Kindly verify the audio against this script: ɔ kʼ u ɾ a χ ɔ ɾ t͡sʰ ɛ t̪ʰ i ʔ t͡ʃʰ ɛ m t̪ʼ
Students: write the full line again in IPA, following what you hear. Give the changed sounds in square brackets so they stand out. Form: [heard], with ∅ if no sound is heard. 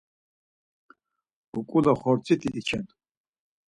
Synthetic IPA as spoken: [u] kʼ u [l] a χ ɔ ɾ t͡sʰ [i] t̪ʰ i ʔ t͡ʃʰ ɛ [n] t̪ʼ